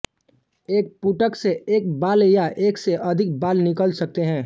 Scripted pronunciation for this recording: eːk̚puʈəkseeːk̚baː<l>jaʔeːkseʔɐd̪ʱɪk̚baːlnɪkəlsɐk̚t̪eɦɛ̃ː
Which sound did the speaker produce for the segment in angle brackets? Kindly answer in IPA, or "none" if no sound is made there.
l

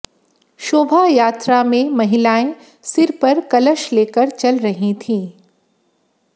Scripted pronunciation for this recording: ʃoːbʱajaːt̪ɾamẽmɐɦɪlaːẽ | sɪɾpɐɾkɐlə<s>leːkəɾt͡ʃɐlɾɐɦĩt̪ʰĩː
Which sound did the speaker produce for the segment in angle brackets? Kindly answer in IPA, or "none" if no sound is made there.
ʃ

